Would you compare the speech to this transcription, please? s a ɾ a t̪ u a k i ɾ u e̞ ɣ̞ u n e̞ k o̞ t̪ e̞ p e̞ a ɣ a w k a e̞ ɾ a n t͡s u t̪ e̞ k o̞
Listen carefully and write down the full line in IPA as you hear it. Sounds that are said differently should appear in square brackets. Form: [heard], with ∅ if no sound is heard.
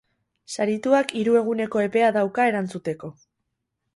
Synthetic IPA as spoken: s a ɾ [i] t̪ u a k i ɾ u e̞ ɣ̞ u n e̞ k o̞ [∅] e̞ p e̞ a [ð] a w k a e̞ ɾ a n t͡s u t̪ e̞ k o̞